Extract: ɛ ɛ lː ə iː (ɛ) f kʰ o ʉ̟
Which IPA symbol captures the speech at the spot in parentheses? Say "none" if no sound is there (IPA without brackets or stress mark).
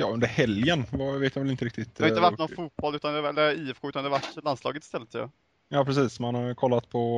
ɛ